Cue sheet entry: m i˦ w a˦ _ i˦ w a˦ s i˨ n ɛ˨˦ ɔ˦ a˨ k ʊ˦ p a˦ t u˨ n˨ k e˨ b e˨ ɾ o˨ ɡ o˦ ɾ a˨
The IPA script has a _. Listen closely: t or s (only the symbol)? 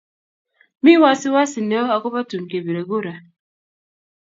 s